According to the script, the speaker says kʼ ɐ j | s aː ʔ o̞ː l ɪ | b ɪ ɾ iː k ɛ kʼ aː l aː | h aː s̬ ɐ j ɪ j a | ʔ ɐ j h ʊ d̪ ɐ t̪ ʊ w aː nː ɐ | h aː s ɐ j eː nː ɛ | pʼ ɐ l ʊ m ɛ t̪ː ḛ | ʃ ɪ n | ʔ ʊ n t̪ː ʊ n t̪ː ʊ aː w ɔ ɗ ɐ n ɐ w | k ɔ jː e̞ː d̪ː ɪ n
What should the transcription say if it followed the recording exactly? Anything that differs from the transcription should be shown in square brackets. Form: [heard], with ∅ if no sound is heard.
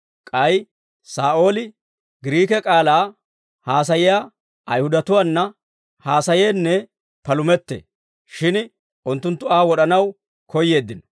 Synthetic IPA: kʼ ɐ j | s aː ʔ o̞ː l ɪ | [ɡ] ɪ ɾ iː k ɛ kʼ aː l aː | h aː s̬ ɐ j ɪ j a | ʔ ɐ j h ʊ d̪ ɐ t̪ ʊ w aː nː ɐ | h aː s ɐ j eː nː ɛ | [p] ɐ l ʊ m ɛ t̪ː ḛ | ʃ ɪ n | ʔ ʊ n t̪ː ʊ n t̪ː ʊ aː w ɔ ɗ ɐ n ɐ w | k ɔ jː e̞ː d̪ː ɪ n